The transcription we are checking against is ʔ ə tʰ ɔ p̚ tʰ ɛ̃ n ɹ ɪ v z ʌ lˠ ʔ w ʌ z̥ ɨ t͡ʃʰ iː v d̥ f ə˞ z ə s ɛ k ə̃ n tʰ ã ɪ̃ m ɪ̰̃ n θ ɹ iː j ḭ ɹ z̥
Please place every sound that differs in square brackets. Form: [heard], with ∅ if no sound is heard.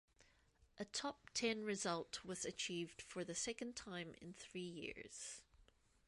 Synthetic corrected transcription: ʔ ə tʰ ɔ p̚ tʰ ɛ̃ n ɹ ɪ [∅] z ʌ lˠ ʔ w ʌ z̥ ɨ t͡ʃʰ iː v d̥ f ə˞ [ð] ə s ɛ k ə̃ n tʰ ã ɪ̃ m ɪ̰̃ n θ ɹ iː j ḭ ɹ z̥